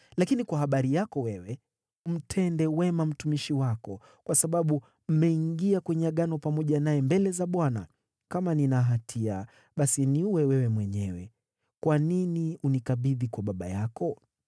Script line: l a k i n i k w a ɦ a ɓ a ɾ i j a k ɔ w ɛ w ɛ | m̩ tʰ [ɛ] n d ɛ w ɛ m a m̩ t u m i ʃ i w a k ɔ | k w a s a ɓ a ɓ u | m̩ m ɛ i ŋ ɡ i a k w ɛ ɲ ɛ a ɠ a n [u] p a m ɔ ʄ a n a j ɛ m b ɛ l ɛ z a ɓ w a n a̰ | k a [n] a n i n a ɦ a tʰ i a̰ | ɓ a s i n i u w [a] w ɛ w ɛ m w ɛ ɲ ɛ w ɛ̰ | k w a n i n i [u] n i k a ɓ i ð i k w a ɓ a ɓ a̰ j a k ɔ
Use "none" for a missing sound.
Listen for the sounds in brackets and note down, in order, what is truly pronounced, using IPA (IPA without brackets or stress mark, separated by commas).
ɛ, ɔ, m, ɛ, u